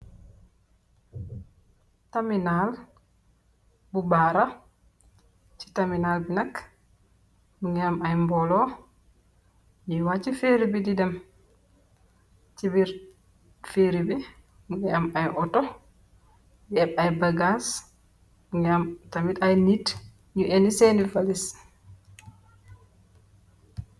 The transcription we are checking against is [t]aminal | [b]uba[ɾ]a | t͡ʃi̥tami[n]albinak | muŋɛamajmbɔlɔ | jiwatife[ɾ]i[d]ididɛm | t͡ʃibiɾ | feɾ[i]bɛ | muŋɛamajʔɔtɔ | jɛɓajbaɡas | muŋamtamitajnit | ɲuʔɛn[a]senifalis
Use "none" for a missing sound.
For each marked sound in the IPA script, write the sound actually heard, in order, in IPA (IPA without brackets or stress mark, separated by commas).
t, b, ɾ, n, ɾ, b, i, i